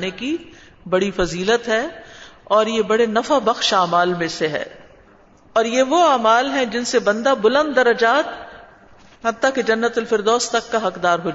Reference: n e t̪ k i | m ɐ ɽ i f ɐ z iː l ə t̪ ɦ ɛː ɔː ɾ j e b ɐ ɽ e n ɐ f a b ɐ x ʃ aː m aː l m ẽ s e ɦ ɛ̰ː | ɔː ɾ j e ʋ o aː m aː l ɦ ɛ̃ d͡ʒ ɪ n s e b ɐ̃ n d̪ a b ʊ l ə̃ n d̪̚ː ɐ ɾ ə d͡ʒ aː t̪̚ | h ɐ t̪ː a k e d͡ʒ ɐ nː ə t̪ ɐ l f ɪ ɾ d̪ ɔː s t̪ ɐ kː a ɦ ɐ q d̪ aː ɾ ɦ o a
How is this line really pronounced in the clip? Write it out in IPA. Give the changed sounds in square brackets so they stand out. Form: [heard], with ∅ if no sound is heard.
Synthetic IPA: n e [∅] k i | [b] ɐ ɽ i f ɐ z iː l ə t̪ ɦ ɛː ɔː ɾ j e b ɐ ɽ e n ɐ f a b ɐ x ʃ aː m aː l m ẽ s e ɦ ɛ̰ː | ɔː ɾ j e ʋ o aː m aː l ɦ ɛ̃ d͡ʒ ɪ n s e b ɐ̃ n d̪ a b ʊ l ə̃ n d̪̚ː ɐ ɾ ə d͡ʒ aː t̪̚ | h ɐ t̪ː a k e d͡ʒ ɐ nː ə t̪ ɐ l f ɪ ɾ d̪ ɔː s t̪ ɐ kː a ɦ ɐ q d̪ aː ɾ ɦ o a